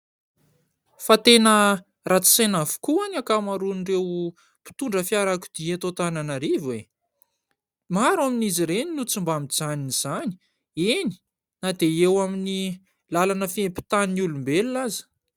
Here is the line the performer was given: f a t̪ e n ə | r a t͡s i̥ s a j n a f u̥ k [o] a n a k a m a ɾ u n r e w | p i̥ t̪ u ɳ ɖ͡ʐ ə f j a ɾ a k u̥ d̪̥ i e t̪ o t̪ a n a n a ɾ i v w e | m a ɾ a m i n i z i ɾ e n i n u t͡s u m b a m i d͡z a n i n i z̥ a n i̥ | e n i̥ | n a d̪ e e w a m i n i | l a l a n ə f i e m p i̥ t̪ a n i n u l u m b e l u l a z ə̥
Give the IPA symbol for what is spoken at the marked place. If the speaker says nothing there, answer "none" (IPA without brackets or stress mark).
u